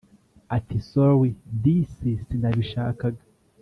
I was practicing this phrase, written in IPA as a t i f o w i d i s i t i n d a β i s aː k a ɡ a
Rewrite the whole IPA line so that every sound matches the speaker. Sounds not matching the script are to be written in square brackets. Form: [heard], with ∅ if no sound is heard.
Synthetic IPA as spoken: a t i [s] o w i d i s i [s] i n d a β i [ʃ] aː k a ɡ a